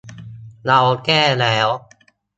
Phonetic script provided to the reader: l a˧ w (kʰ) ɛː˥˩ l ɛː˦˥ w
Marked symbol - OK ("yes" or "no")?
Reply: no